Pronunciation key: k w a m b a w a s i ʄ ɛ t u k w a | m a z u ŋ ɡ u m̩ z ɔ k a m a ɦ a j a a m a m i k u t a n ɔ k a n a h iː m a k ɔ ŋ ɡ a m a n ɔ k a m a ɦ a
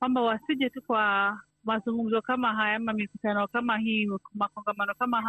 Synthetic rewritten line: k w a m b a w a s i ʄ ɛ t u k w a | m a z u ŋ ɡ u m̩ z ɔ k a m a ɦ a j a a m a m i k u t a n ɔ k a m a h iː m a k ɔ ŋ ɡ a m a n ɔ k a m a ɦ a